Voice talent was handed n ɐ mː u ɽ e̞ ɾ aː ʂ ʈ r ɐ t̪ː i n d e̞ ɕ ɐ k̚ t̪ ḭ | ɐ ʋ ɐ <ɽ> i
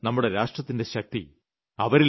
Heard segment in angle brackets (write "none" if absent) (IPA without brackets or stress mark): ɾ